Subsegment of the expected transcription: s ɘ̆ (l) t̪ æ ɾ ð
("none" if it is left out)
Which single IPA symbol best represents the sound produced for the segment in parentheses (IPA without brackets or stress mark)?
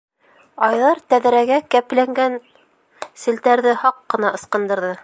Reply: l